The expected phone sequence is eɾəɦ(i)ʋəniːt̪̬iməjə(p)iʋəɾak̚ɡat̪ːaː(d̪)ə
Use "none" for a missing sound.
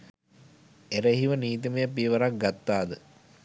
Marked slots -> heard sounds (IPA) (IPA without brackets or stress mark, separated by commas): i, p, d̪